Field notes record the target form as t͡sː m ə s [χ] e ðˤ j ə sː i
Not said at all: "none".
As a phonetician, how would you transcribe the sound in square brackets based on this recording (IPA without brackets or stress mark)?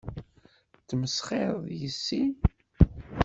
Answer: χ